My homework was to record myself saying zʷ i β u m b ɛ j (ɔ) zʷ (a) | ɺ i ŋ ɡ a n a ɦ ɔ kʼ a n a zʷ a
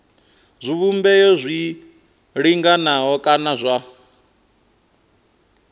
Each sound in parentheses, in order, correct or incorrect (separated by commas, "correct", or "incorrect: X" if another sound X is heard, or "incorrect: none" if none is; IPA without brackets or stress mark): correct, incorrect: i